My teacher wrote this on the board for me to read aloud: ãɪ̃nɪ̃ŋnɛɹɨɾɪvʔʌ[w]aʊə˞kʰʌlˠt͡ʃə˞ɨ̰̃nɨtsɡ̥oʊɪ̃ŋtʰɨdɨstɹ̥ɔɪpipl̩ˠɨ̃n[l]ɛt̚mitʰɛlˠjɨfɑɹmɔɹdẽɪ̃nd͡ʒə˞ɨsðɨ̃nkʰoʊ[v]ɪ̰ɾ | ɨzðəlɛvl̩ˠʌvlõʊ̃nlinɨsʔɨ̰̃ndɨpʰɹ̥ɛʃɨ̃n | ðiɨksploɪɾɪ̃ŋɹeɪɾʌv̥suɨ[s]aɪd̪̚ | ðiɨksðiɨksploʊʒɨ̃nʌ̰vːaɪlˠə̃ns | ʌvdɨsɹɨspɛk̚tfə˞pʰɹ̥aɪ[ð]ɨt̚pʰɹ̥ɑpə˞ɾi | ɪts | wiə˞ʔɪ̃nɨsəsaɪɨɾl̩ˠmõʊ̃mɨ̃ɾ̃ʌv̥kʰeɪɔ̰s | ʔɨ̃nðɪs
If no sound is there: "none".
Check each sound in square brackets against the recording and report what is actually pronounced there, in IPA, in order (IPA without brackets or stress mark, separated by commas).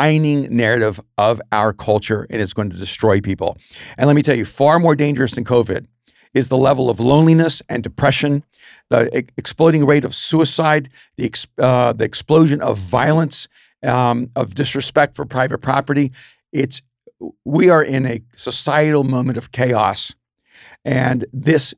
v, l, v, s, v